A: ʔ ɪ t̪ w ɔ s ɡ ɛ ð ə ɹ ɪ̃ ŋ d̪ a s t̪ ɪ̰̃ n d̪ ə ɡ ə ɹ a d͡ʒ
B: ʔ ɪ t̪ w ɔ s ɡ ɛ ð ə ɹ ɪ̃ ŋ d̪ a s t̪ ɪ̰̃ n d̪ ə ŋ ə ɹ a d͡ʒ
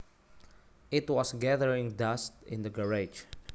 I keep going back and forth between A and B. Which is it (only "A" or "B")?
A